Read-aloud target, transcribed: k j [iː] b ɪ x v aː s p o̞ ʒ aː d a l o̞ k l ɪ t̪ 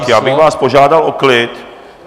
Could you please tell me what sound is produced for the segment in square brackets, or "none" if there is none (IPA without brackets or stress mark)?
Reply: aː